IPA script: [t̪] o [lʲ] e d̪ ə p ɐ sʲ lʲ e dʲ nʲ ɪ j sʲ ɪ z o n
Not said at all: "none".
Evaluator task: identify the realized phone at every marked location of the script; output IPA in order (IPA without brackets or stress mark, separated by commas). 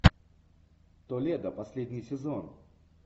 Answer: t̪, lʲ